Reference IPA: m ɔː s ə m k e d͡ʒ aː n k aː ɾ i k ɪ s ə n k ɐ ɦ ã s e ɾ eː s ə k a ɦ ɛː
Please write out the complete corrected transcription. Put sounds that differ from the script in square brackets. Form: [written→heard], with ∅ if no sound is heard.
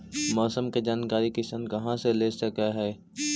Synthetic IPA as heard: m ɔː s ə m k e d͡ʒ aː n k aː ɾ i k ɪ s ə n k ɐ ɦ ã s e [ɾ→l] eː s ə k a ɦ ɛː

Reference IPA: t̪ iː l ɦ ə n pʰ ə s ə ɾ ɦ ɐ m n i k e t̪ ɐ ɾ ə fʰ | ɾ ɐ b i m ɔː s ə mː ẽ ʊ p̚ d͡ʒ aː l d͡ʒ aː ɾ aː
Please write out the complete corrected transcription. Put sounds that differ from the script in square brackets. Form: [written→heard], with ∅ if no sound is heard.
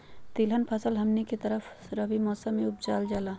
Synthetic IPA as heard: t̪ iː l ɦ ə n pʰ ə s ə [ɾ→l] ɦ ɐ m n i k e t̪ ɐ ɾ ə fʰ | ɾ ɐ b i m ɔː s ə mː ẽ ʊ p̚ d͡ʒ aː l d͡ʒ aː [ɾ→l] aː

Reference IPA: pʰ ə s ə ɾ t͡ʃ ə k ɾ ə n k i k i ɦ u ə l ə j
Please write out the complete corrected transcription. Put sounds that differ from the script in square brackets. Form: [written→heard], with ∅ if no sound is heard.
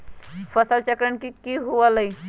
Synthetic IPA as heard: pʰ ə s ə [ɾ→l] t͡ʃ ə k ɾ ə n k i k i ɦ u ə l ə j

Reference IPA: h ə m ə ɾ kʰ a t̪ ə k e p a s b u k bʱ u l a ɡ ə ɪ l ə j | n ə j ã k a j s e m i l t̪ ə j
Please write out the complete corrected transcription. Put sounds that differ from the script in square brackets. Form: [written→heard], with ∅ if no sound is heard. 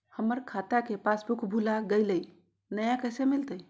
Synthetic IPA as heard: h ə m ə ɾ kʰ a t̪ [ə→a] k e p a s b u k bʱ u l a ɡ ə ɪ l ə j | n ə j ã k [a→ə] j s e m i l t̪ ə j

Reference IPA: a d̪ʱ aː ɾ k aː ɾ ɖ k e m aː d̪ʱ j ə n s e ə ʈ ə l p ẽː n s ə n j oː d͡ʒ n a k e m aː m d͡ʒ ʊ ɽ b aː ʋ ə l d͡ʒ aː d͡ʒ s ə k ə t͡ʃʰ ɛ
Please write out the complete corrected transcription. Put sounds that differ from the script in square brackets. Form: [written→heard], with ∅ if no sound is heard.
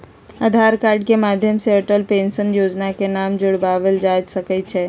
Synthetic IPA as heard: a d̪ʱ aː ɾ k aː ɾ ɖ k e m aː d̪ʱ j ə [n→m] s e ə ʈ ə l p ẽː n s ə n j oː d͡ʒ n a k e [m→n] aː m d͡ʒ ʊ ɽ b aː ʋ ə l d͡ʒ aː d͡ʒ s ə k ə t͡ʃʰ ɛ

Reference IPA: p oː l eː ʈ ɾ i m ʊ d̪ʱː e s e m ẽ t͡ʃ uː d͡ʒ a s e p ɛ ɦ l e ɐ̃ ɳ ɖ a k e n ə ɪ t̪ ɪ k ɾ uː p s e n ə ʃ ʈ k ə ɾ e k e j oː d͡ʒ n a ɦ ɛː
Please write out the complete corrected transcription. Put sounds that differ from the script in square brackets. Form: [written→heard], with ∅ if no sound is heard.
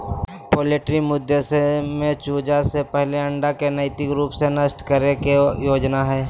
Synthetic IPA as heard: p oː l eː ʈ ɾ i m ʊ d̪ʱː e s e m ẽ t͡ʃ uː d͡ʒ a s e p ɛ ɦ l e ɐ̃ ɳ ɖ a k e n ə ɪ t̪ ɪ k ɾ uː p s e n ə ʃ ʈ k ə ɾ e k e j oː d͡ʒ n a ɦ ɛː

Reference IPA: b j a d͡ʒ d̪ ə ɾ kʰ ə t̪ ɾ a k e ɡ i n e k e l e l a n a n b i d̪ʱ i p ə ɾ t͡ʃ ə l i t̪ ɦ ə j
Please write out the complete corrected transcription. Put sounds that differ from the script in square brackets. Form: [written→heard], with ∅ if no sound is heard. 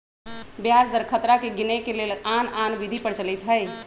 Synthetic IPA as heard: b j a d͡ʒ d̪ ə ɾ kʰ ə t̪ ɾ a k e ɡ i n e k e l e l a n a n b i d̪ʱ i p ə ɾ t͡ʃ ə l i t̪ ɦ ə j

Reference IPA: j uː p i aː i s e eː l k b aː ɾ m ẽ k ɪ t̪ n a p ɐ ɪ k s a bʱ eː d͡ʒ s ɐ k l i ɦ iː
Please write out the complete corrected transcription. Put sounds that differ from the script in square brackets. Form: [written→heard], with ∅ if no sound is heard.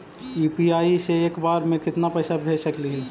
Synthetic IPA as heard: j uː p i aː i s e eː [l→∅] k b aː ɾ m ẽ k ɪ t̪ n a p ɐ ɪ [k→∅] s a bʱ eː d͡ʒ s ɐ k l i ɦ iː

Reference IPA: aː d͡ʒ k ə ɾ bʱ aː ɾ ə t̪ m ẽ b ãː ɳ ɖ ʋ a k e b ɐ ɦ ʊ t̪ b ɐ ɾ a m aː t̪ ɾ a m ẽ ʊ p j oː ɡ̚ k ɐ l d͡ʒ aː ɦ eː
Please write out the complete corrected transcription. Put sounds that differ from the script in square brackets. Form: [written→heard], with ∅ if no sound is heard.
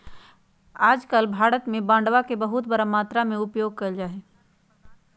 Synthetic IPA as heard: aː d͡ʒ k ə [ɾ→l] bʱ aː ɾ ə t̪ m ẽ b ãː ɳ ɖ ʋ a k e b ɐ ɦ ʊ t̪ b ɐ ɾ a m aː t̪ ɾ a m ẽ ʊ p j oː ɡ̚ k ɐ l d͡ʒ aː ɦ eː

